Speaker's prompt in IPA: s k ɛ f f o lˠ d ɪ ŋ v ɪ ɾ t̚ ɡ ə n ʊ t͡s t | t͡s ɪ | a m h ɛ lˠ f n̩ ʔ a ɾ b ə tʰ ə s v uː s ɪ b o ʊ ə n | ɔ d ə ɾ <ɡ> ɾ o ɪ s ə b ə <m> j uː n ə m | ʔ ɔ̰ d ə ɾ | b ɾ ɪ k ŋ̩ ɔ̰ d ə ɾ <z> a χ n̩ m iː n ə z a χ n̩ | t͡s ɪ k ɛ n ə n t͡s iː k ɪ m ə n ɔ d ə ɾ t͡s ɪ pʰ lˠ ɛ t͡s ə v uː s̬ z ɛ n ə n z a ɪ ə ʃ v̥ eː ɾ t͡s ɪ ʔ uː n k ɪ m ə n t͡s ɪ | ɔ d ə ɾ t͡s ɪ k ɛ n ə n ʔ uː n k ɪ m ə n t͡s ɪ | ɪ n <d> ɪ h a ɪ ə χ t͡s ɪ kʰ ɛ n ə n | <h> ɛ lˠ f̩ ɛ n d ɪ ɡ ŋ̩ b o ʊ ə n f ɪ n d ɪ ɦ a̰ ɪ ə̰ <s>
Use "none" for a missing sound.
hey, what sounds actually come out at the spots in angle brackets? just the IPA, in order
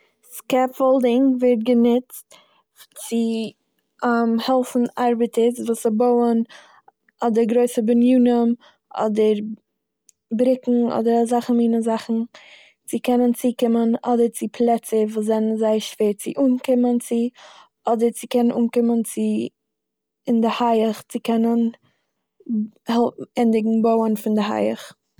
ɡ, n, z, d, h, χ

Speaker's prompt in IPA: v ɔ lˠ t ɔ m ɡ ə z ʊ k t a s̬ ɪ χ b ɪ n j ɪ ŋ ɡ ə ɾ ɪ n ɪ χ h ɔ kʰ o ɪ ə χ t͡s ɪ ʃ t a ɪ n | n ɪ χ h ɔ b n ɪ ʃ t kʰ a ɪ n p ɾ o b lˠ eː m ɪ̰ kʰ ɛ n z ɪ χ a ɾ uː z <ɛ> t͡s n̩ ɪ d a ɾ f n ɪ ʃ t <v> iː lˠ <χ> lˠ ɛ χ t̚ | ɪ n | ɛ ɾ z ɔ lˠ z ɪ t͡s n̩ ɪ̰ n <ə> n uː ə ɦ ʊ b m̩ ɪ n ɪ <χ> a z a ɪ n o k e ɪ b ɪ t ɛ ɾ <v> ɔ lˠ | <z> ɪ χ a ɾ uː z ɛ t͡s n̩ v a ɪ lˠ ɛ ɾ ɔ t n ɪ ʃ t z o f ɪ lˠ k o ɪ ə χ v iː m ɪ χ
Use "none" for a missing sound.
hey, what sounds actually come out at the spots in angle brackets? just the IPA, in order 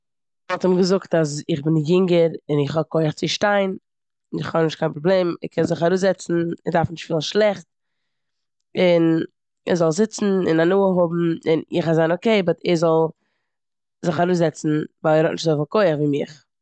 ɛ, f, ʃ, a, χ, z, z

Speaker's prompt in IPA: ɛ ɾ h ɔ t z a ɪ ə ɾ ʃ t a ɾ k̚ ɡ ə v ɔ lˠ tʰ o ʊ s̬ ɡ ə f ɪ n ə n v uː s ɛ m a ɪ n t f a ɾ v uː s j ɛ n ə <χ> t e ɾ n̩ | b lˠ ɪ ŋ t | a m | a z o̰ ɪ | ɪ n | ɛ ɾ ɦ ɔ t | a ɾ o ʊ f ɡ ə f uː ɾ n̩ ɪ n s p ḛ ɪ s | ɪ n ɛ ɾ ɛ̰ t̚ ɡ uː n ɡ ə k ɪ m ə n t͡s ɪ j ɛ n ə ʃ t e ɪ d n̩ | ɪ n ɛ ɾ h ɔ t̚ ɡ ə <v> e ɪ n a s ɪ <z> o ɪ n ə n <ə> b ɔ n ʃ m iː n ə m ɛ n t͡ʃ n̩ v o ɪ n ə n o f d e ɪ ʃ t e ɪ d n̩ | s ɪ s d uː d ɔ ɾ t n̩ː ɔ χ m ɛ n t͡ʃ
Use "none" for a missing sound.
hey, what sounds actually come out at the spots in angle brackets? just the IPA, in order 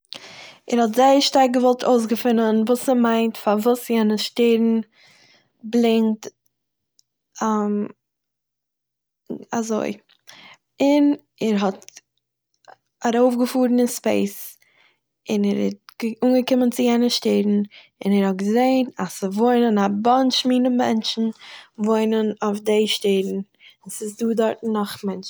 ʃ, z, v, a

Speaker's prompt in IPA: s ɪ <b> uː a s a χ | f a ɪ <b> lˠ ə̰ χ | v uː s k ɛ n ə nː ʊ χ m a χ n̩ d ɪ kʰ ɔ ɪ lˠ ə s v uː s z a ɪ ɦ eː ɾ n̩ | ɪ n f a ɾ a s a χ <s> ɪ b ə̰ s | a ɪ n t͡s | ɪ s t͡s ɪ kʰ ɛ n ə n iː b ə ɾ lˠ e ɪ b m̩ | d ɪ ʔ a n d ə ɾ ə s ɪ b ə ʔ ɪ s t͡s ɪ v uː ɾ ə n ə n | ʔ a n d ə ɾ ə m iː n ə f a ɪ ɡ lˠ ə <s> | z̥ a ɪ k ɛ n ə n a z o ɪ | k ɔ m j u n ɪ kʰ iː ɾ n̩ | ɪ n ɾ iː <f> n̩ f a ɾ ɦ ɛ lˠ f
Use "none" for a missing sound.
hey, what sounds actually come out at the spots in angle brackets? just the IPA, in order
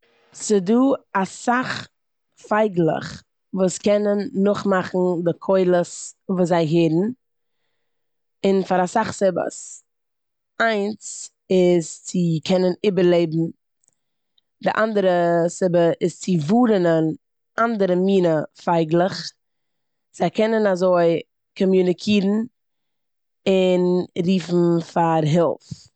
d, ɡ, s, χ, f

